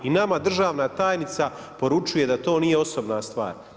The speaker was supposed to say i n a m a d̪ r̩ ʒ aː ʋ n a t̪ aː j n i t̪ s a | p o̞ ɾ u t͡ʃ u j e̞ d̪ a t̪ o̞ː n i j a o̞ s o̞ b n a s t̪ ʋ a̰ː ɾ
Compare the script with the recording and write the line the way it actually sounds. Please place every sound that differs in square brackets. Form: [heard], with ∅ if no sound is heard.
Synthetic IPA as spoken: i n a m a d̪ r̩ ʒ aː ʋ n a t̪ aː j n i t̪ s a | p o̞ ɾ u t͡ʃ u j e̞ d̪ a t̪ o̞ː n i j [e] o̞ s o̞ b n a s t̪ ʋ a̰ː ɾ